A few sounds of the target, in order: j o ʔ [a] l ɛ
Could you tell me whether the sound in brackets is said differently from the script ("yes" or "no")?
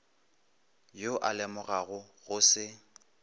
no